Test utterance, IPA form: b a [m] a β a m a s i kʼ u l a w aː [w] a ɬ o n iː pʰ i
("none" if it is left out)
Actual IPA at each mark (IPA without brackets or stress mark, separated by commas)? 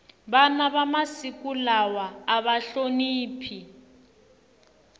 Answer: n, β